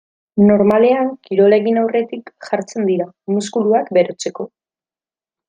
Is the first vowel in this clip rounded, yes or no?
yes